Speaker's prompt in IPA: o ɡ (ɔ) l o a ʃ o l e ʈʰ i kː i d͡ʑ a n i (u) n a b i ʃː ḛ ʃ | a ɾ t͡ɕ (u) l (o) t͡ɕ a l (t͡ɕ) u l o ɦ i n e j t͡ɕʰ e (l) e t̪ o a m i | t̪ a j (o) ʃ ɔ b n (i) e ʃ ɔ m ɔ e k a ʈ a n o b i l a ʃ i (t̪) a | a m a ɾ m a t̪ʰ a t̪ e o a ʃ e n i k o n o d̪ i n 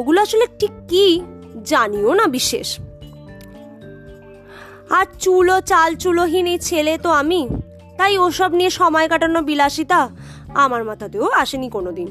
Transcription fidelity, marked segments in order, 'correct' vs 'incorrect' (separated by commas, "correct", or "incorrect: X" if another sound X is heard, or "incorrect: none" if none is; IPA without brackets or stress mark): incorrect: u, incorrect: o, correct, correct, correct, correct, correct, correct, correct